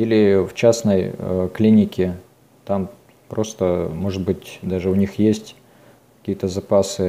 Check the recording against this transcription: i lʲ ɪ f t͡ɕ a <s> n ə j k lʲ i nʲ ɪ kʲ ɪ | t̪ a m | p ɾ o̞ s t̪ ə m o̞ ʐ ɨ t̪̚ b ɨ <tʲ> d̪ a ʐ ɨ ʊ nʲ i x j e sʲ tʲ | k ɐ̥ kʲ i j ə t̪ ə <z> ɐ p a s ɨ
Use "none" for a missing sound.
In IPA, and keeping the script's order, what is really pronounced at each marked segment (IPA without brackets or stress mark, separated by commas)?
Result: s, tʲ, z